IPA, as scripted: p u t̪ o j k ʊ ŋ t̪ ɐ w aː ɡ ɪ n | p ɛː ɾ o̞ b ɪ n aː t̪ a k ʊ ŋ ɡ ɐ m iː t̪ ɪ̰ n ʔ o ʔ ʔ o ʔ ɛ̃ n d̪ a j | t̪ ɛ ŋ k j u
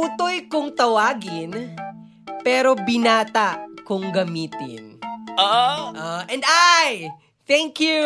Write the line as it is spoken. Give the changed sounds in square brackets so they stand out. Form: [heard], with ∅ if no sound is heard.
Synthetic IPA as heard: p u t̪ o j k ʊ ŋ t̪ ɐ w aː ɡ ɪ n | p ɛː ɾ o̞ b ɪ n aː t̪ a k ʊ ŋ ɡ ɐ m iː t̪ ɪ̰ n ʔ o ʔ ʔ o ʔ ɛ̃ n d̪ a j | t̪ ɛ ŋ k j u